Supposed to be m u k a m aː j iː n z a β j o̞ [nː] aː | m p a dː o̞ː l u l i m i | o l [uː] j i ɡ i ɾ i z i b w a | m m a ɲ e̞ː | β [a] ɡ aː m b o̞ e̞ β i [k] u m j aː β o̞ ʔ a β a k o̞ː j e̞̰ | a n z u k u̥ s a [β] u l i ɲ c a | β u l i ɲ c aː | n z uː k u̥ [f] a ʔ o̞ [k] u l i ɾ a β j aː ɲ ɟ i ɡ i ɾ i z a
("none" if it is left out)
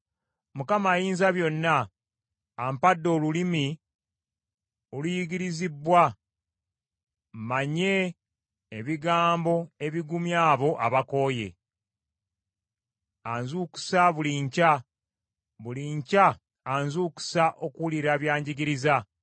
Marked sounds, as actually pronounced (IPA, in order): nː, u, i, ɡ, β, s, k

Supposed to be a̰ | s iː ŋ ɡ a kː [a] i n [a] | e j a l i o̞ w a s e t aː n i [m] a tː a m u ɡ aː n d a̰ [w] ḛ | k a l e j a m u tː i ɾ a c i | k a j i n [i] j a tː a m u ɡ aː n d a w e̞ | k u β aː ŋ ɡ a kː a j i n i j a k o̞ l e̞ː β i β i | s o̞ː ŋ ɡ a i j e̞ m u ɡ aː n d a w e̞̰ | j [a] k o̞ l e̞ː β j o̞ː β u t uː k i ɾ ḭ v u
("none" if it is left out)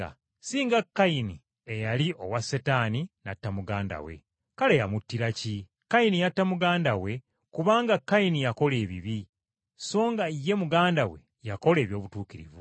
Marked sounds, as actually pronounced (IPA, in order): a, i, n, w, i, a

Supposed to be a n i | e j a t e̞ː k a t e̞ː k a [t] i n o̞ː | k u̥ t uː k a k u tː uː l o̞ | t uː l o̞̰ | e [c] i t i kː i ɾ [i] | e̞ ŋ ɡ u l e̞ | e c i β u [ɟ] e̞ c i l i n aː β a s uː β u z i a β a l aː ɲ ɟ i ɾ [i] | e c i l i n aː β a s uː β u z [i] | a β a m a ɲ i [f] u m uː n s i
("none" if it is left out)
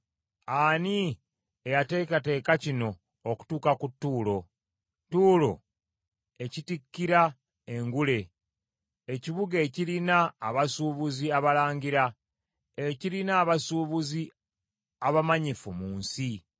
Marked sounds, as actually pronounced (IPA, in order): c, c, a, ɡ, a, i, f

